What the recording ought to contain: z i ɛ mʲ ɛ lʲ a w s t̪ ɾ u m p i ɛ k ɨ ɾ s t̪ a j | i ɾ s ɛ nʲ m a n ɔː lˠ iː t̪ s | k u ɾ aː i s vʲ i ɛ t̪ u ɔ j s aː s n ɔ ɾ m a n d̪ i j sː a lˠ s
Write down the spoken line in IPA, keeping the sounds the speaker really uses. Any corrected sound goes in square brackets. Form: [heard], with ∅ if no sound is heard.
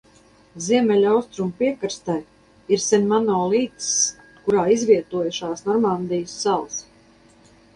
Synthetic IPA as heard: z i ɛ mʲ ɛ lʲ a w s t̪ ɾ u m p i ɛ k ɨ ɾ s t̪ a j | i ɾ s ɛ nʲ m a n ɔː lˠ iː t̪ s | k u ɾ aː i [z] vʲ i ɛ t̪ u ɔ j [ʃ] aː s n ɔ ɾ m a n d̪ i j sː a lˠ s